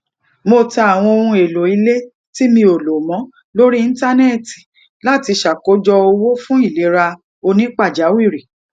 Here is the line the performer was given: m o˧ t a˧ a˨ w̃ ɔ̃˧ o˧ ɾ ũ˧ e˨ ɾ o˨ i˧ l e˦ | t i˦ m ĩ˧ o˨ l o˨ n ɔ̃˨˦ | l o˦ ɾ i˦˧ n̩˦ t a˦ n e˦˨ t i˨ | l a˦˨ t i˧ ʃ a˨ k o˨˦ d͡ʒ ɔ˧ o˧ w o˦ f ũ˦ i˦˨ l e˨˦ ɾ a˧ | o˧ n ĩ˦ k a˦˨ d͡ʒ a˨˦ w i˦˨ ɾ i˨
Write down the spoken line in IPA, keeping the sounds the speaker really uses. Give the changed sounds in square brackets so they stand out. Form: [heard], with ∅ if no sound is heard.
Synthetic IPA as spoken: m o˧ t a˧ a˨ w̃ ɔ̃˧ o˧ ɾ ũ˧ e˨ [l] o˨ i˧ l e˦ | t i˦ m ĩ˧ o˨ l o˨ [m] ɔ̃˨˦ | l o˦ ɾ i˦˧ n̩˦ t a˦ n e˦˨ t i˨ | l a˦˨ t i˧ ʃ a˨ k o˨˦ d͡ʒ ɔ˧ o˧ w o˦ f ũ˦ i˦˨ l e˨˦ ɾ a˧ | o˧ n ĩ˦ [k͡p] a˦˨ d͡ʒ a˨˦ w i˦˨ ɾ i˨

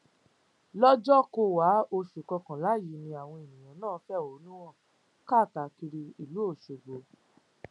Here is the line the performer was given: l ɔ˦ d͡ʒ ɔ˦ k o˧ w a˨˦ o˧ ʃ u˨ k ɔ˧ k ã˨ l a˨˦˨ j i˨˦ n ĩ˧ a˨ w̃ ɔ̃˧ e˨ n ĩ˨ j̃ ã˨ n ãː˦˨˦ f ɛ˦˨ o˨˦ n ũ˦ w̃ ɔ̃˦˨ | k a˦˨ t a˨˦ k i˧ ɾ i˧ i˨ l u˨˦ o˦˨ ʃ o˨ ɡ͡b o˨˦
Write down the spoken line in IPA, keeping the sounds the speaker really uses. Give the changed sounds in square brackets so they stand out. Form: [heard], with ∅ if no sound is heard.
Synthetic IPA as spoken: l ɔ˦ d͡ʒ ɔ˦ k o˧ w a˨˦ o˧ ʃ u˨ k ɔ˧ k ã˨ l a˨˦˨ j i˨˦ n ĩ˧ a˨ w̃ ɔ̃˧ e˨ n ĩ˨ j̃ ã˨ n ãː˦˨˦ f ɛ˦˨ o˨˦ n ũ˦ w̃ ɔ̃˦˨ | k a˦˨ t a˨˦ k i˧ ɾ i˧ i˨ l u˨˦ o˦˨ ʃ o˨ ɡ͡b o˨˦

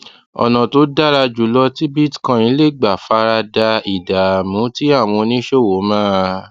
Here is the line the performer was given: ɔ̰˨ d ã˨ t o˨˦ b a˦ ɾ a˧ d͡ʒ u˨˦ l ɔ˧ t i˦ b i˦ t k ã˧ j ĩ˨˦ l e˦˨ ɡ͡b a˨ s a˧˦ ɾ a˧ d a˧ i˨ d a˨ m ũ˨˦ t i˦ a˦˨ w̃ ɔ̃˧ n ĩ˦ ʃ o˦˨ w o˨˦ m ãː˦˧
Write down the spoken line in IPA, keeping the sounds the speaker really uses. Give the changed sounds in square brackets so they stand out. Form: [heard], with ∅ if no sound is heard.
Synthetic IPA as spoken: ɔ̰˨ [n] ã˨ t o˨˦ [d] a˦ ɾ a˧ d͡ʒ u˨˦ l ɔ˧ t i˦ b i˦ t k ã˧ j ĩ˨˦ l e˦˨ ɡ͡b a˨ [f] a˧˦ ɾ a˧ d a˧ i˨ d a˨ m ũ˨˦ t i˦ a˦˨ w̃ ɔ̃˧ n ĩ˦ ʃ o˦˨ w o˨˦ m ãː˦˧

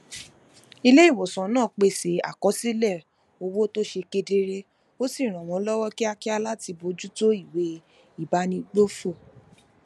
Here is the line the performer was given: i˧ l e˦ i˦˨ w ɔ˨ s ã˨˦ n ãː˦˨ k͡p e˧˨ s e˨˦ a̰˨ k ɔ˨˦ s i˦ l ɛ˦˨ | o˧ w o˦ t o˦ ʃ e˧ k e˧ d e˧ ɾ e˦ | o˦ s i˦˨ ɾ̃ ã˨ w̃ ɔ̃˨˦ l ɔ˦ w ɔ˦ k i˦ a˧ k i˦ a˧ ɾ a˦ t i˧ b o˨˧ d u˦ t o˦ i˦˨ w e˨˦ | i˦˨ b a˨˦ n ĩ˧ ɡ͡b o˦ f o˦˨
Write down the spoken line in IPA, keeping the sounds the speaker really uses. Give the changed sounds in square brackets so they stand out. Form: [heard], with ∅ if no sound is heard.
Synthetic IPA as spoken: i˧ l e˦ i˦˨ w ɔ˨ s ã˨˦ n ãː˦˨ k͡p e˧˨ s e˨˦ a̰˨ k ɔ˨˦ s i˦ l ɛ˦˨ | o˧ w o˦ t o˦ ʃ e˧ k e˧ d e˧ ɾ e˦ | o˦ s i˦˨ ɾ̃ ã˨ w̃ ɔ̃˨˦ l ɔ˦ w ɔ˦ k i˦ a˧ k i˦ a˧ [l] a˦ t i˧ b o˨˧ [d͡ʒ] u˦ t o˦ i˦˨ w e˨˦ | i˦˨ b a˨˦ n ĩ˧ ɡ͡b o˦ f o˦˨

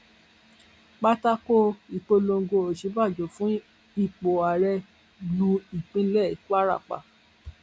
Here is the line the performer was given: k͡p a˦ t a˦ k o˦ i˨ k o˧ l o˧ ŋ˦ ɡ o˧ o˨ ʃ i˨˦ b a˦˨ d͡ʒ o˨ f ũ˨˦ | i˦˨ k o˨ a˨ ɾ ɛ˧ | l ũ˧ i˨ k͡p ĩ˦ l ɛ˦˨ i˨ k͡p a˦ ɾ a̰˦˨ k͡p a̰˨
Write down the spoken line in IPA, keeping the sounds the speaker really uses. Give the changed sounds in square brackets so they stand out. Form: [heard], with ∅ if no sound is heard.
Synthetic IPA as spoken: k͡p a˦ t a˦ k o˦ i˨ [k͡p] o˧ l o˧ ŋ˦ ɡ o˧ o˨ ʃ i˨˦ b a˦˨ d͡ʒ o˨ f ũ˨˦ | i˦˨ [k͡p] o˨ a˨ ɾ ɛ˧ | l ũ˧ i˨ k͡p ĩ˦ l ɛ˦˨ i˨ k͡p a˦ ɾ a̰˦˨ k͡p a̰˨

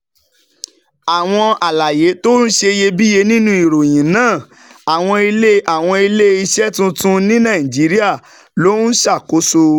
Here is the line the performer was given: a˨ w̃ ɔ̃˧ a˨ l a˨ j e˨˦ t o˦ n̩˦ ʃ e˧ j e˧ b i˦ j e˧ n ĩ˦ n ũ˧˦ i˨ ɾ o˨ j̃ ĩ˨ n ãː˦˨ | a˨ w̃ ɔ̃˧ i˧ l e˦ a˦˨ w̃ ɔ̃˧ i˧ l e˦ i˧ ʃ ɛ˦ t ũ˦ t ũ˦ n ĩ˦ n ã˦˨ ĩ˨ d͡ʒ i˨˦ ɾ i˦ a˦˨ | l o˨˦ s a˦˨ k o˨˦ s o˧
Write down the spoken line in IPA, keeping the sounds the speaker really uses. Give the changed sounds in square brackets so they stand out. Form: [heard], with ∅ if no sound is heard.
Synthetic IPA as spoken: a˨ w̃ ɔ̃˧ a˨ l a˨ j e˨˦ t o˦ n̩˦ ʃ e˧ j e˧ b i˦ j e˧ n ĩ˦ n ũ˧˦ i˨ ɾ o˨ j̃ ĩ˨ n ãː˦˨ | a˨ w̃ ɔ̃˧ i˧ l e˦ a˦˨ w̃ ɔ̃˧ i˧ l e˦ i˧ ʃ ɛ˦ t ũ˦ t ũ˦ n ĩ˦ n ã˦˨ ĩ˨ d͡ʒ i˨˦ ɾ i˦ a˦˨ | l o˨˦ [ʃ] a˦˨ k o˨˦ s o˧

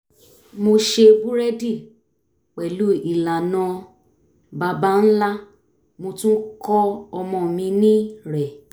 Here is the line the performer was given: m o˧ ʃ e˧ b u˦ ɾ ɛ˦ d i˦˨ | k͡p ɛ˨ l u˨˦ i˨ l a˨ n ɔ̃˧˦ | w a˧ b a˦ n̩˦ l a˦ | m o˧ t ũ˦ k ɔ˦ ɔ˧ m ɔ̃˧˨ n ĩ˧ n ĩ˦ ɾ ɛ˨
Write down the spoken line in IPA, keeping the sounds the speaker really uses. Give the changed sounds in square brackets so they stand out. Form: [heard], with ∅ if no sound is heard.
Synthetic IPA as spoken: m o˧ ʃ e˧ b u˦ ɾ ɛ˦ d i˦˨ | k͡p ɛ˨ l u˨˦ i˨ l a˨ n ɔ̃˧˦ | [b] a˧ b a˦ n̩˦ l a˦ | m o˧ t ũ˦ k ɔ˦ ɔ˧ m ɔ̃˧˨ [m] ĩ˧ n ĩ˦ ɾ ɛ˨

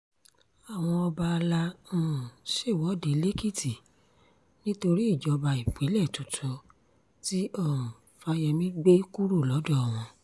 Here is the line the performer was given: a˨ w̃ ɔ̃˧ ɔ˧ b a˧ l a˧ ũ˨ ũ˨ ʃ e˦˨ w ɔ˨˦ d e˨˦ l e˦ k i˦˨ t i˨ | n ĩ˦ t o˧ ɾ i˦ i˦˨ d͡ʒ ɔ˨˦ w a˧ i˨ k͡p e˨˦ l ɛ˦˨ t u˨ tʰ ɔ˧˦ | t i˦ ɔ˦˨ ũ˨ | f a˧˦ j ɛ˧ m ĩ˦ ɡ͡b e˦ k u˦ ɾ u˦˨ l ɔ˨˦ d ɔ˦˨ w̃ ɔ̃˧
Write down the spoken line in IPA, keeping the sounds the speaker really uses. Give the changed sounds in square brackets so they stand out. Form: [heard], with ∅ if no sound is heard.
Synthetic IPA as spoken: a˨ w̃ ɔ̃˧ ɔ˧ b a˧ l a˧ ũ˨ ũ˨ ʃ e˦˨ w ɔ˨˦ d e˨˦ l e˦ k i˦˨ t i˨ | n ĩ˦ t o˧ ɾ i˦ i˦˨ d͡ʒ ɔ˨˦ [b] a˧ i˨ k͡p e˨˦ l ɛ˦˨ t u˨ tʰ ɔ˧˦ | t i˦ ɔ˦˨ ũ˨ | f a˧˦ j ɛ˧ m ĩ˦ ɡ͡b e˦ k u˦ ɾ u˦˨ l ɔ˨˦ d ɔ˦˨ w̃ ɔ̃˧

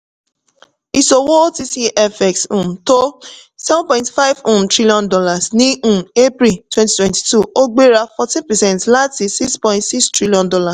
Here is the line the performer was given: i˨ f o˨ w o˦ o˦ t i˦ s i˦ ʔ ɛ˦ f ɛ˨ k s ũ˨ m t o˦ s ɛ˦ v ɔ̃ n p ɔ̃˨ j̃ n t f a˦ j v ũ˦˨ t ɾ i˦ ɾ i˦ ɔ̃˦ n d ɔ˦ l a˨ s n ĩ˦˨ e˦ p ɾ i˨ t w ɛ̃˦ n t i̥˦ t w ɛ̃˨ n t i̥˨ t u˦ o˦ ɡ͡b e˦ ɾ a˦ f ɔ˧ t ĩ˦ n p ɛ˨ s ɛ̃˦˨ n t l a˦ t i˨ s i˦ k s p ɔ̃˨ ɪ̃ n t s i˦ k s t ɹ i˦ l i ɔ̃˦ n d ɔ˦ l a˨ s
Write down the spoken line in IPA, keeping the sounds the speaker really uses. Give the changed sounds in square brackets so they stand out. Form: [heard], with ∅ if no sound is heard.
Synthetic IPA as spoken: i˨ [s] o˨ w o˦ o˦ t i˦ s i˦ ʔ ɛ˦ f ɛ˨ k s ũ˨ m t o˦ s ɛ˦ v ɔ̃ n p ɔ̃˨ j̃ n t f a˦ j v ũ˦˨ t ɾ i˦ [l] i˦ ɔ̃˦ n d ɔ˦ l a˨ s n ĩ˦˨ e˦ p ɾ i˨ t w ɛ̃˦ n t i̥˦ t w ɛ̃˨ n t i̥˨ t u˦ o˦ ɡ͡b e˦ ɾ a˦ f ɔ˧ t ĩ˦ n p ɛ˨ s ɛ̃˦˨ n t l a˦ t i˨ s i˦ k s p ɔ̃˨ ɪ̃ n t s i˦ k s t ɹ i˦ l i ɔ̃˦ n d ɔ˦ l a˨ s

